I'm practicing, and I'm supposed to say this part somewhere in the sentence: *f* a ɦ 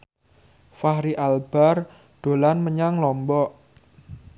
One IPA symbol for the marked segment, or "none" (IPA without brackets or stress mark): f